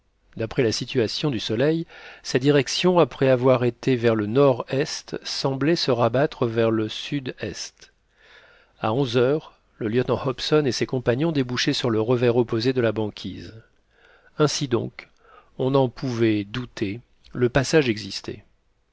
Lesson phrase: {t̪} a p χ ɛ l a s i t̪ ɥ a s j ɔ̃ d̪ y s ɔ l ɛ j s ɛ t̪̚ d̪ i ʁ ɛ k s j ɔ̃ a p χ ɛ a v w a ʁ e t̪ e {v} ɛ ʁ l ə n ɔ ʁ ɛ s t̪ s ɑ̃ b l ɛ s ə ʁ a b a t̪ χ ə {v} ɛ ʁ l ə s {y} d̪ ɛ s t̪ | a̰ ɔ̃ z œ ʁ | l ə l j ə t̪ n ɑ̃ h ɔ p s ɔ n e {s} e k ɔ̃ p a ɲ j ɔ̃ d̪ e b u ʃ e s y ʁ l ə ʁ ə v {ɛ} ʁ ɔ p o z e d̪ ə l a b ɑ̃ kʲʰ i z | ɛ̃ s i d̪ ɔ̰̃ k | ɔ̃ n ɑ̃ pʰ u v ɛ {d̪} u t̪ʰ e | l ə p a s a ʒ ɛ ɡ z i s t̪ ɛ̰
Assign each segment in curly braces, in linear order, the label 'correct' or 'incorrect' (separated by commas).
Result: incorrect, correct, correct, correct, correct, correct, correct